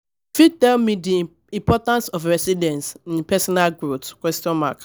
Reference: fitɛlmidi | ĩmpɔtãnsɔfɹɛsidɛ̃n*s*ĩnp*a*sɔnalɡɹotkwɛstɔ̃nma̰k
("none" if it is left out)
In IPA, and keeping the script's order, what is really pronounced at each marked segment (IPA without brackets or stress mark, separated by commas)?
s, ɛ